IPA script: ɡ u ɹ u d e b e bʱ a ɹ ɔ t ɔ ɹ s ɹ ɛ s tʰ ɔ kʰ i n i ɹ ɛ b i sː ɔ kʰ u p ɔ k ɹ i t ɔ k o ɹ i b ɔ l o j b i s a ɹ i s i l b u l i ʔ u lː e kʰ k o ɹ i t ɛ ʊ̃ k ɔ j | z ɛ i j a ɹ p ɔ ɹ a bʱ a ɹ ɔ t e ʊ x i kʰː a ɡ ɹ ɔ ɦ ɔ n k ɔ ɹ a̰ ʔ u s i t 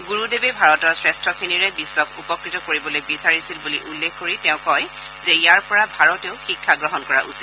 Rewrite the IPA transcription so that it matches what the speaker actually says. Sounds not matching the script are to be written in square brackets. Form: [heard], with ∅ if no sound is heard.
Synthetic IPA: ɡ u ɹ u d e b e bʱ a ɹ ɔ t ɔ ɹ s ɹ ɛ s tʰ ɔ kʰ i n i ɹ ɛ b i sː ɔ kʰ u p ɔ k ɹ i t ɔ k o ɹ i b ɔ l o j b i s a ɹ i s i l b u l i ʔ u lː e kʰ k o ɹ i t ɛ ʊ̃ k ɔ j | z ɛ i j a ɹ p ɔ ɹ a bʱ a ɹ ɔ t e ʊ x i kʰː a ɡ ɹ ɔ ɦ ɔ n k ɔ ɹ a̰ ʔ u s i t

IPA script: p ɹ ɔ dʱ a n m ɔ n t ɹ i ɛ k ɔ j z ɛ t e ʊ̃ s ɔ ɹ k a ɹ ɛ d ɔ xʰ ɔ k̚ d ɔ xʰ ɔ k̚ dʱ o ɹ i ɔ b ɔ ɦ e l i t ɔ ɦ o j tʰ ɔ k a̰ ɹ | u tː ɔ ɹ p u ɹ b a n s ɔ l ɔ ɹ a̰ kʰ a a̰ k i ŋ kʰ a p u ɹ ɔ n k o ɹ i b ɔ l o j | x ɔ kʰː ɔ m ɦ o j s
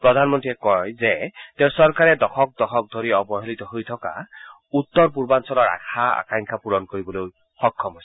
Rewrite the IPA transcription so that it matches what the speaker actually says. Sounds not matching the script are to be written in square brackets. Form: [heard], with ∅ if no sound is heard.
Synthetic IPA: p ɹ ɔ dʱ a n m ɔ n t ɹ i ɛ k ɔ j z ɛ t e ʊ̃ s ɔ ɹ k a ɹ ɛ d ɔ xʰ ɔ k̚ d ɔ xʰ ɔ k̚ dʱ o ɹ i ɔ b ɔ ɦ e l i t ɔ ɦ o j tʰ ɔ k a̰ [∅] | u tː ɔ ɹ p u ɹ b a n s ɔ l ɔ ɹ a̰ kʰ a a̰ k [a] ŋ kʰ a p u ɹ ɔ n k o ɹ i b ɔ l o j | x ɔ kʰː ɔ m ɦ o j s

